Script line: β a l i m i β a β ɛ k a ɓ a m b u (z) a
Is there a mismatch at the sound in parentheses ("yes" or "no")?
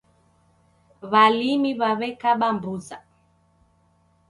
no